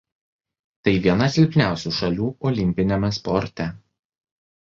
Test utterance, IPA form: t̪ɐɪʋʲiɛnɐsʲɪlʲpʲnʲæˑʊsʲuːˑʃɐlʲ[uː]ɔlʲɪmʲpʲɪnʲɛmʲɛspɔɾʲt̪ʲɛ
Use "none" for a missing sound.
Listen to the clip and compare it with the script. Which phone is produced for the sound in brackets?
uː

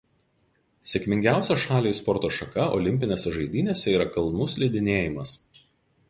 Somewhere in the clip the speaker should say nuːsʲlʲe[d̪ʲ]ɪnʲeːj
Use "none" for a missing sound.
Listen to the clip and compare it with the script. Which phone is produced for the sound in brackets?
d̪ʲ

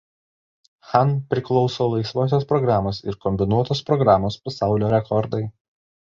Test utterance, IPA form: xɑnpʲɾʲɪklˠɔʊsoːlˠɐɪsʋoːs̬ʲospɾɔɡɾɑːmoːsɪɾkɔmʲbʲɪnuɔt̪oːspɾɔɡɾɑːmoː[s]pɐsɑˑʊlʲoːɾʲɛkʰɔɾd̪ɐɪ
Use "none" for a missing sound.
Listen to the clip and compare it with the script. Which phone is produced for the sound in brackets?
s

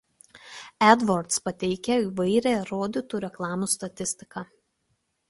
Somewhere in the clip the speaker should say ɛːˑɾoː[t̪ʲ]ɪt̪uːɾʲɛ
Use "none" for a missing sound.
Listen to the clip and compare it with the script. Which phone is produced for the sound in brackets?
d̪ʲ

